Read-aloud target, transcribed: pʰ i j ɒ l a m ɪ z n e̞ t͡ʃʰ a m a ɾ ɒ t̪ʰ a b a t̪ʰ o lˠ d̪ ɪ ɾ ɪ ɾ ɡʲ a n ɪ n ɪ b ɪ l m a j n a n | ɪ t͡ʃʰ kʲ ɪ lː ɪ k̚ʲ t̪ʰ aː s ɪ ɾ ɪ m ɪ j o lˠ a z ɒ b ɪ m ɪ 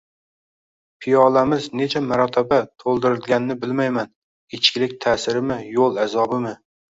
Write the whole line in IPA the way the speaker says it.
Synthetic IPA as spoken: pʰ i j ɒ l a m ɪ z n e̞ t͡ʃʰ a m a ɾ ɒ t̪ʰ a b a t̪ʰ o lˠ d̪ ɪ ɾ ɪ l ɡʲ a n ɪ n ɪ b ɪ l m a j m a n | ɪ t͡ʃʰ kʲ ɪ l ɪ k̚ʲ t̪ʰ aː s ɪ ɾ ɪ m ɪ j o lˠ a z ɒ b ɪ m ɪ